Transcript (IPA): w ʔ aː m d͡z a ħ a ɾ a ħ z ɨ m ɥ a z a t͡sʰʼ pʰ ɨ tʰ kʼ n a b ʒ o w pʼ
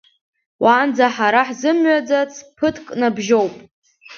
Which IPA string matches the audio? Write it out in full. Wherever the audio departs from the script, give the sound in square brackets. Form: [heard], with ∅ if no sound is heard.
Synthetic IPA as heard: w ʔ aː [n] d͡z a ħ a ɾ a ħ z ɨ m ɥ a [d͡z] a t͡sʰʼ pʰ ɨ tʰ kʼ n a b ʒ o w pʼ